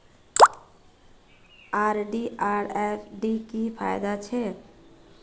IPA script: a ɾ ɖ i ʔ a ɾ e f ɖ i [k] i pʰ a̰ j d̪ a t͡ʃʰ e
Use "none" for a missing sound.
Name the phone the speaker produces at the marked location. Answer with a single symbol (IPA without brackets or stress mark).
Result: k